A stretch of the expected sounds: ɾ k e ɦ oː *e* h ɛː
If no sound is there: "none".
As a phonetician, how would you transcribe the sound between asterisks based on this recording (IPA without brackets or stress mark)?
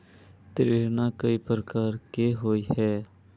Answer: i